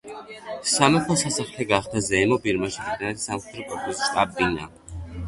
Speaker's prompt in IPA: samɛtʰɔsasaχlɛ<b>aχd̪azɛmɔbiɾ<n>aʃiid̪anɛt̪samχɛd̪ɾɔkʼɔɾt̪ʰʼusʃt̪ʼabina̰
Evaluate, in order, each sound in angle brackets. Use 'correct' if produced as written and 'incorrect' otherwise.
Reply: incorrect, incorrect

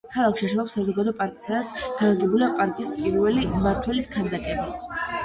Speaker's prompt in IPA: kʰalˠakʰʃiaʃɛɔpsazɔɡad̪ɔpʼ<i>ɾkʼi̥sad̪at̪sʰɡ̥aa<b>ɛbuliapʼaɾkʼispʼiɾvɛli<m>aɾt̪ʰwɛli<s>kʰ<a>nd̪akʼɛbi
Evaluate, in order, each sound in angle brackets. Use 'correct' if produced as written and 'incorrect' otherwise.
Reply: incorrect, incorrect, correct, correct, correct

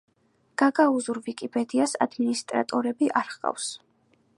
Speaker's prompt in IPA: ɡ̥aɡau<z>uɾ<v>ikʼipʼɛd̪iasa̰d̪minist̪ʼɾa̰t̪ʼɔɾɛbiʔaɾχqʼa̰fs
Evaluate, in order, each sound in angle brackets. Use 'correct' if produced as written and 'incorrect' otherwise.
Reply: correct, correct

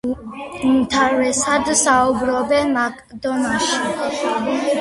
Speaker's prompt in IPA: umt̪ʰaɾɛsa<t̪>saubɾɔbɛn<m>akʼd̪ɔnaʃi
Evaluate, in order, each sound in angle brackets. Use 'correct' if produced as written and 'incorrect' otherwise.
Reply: incorrect, correct

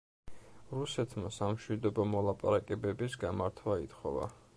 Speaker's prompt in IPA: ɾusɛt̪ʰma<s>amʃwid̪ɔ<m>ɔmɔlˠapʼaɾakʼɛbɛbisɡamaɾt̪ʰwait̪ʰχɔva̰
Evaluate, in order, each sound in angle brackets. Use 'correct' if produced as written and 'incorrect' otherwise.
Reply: correct, incorrect

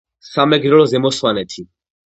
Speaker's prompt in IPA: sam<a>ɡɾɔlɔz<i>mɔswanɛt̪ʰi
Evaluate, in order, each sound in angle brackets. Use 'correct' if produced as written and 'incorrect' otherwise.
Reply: incorrect, incorrect

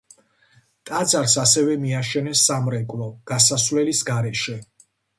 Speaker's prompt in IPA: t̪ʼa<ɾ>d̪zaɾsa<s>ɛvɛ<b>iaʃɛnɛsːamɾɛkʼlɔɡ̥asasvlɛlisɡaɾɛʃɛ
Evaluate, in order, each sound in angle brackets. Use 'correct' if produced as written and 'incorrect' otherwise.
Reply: incorrect, correct, incorrect

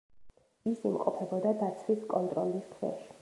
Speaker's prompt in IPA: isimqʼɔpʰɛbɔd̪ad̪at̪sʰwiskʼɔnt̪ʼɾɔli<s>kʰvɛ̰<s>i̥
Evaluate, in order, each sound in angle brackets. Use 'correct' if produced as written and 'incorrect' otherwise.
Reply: correct, incorrect

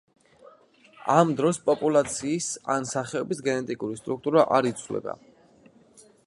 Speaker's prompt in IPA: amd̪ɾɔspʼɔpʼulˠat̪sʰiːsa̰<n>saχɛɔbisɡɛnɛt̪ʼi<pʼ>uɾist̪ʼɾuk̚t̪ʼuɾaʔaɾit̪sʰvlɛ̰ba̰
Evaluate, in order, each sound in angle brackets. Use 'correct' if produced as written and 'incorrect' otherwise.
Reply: correct, incorrect

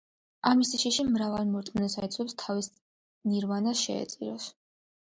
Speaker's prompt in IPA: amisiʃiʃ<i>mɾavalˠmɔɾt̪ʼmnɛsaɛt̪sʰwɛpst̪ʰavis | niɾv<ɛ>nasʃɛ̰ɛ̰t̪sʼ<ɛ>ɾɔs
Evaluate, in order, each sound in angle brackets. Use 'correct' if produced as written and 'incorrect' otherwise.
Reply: correct, incorrect, incorrect

